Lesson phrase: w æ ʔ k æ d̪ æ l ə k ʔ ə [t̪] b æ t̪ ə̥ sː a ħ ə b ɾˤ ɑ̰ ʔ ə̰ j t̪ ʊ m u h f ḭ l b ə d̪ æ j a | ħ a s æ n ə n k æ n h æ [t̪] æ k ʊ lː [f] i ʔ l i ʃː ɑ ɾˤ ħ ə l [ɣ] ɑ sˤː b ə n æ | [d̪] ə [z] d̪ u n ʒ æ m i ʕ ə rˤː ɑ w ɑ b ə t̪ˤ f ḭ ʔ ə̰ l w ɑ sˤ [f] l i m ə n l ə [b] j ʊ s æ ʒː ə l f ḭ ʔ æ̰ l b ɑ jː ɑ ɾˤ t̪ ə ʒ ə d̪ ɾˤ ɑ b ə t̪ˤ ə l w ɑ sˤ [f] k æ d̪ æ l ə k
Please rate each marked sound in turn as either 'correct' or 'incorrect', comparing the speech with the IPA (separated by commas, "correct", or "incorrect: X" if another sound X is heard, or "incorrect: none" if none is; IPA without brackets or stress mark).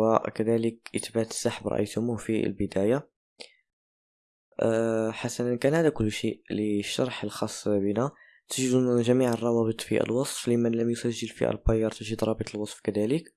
correct, incorrect: d̪, incorrect: ʃ, incorrect: x, incorrect: t̪, incorrect: ʒ, correct, incorrect: m, correct